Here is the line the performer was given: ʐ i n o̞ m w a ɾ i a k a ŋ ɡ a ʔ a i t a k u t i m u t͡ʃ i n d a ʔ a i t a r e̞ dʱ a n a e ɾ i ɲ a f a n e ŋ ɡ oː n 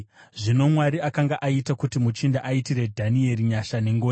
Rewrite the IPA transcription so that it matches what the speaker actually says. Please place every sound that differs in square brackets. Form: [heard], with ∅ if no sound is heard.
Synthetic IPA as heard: ʐ i n o̞ m w a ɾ i a k a ŋ ɡ a ʔ a i t a k u t i m u t͡ʃ i n d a ʔ a i t [i] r e̞ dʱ a n [i] e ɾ i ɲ a [ʃ] a n e ŋ ɡ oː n